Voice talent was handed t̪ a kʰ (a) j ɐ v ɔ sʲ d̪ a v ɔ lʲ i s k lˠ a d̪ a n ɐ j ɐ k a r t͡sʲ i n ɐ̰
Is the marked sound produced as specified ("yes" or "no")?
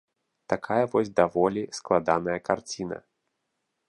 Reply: yes